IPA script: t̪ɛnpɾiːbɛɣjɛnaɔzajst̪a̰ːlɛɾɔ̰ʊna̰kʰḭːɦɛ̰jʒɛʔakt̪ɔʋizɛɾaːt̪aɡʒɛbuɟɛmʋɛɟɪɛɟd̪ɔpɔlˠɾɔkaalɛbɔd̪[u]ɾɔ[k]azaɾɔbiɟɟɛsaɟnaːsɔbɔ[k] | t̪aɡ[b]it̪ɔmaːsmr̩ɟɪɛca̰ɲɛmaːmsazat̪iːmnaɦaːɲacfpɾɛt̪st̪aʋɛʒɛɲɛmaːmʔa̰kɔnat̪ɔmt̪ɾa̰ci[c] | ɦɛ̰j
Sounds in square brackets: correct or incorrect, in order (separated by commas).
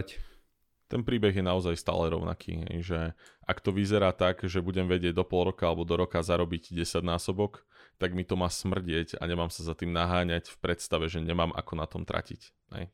incorrect, correct, correct, incorrect, correct